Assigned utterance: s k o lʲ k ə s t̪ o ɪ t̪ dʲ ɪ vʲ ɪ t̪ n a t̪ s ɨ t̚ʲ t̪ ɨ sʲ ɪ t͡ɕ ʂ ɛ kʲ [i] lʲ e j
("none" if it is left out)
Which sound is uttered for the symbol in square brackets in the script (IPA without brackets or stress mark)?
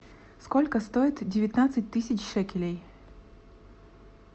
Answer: ɪ